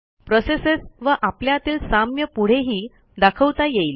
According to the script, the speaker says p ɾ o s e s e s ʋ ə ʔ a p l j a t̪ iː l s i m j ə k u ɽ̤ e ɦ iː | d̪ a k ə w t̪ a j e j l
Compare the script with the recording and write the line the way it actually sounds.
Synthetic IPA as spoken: p ɾ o s e s e s ʋ ə ʔ a p l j a t̪ iː l s a m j ə p u ɽ̤ e ɦ iː | d̪ a kʰ ə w t̪ a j e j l